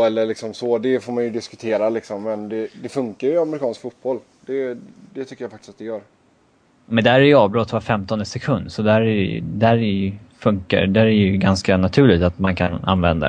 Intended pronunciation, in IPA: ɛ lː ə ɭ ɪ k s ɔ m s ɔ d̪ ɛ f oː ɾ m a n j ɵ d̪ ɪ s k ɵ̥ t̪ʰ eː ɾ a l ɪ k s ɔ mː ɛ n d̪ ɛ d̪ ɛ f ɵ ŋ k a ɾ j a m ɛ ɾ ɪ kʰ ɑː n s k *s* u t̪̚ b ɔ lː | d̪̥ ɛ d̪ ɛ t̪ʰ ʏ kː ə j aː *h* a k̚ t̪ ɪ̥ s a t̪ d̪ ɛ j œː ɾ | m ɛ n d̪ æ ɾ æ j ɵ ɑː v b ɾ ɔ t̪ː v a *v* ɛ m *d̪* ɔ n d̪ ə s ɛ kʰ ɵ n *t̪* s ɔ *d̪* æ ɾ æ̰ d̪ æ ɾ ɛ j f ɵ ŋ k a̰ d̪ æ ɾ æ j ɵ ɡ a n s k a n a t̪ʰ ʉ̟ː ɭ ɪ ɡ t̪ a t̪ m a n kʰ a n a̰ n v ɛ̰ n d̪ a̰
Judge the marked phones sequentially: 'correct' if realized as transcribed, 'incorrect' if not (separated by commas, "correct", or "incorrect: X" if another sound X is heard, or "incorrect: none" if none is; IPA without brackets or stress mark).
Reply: incorrect: f, incorrect: f, incorrect: f, incorrect: t̪, incorrect: d̪, correct